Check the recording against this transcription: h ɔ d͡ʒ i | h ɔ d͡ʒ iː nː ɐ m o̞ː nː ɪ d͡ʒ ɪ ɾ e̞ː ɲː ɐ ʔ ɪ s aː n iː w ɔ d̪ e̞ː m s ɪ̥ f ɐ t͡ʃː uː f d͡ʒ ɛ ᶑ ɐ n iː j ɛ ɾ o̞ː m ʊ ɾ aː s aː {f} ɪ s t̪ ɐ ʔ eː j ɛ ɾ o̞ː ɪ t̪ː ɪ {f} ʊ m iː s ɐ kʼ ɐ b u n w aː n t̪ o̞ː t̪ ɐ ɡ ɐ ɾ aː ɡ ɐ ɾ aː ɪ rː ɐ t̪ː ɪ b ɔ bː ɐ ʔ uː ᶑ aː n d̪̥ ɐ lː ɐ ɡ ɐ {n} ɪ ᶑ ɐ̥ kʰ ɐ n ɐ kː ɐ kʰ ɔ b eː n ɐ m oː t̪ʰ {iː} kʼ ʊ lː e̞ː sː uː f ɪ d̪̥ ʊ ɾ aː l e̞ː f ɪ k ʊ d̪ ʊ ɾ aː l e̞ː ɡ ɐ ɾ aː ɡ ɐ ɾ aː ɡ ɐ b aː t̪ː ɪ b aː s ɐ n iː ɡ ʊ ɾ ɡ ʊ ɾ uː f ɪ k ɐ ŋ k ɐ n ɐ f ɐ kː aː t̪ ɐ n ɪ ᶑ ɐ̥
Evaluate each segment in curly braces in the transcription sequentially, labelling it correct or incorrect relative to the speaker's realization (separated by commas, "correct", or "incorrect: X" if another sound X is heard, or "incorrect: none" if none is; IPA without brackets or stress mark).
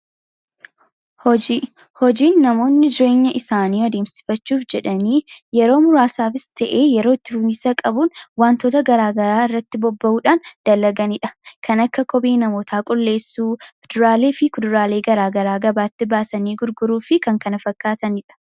correct, correct, correct, incorrect: aː